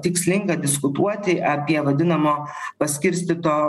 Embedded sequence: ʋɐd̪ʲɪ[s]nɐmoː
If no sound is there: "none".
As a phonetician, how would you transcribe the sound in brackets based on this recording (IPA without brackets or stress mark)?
none